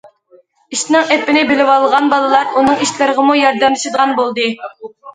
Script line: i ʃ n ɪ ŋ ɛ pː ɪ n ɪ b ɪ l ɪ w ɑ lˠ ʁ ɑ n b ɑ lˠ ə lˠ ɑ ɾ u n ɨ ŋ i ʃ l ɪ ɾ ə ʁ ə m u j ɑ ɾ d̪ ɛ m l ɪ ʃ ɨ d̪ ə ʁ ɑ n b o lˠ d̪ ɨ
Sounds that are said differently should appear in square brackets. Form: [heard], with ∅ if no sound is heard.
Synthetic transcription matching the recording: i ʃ n ɪ ŋ ɛ pː ɪ n ɪ b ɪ l ɪ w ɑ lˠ ʁ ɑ n b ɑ lˠ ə lˠ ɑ ɾ u n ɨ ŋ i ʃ l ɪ ɾ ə ʁ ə m u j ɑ ɾ d̪ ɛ m l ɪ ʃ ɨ d̪ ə ʁ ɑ n b o lˠ d̪ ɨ